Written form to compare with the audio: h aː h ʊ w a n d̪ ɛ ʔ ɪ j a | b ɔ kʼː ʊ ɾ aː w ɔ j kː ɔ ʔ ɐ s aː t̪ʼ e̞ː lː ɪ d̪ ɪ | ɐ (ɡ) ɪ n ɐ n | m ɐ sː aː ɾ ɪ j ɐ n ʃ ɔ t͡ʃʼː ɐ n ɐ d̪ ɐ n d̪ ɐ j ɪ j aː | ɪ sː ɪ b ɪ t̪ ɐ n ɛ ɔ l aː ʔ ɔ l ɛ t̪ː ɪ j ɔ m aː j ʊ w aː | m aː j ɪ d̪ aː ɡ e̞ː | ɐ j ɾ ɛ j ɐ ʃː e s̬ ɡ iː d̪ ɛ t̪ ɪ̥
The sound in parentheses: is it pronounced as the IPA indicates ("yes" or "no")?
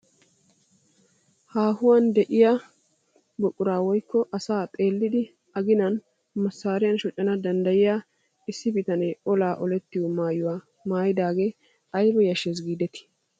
yes